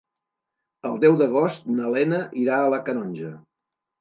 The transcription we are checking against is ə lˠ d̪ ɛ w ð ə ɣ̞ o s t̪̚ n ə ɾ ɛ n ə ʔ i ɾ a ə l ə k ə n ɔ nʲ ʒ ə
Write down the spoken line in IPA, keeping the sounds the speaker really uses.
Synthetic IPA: ə lˠ d̪ ɛ w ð ə ɣ̞ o s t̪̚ n ə l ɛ n ə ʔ i ɾ a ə l ə k ə n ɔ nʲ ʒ ə